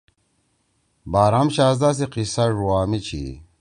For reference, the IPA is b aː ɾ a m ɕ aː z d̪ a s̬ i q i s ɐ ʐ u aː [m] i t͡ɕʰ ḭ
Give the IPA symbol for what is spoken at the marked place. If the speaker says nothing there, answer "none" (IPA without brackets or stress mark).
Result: m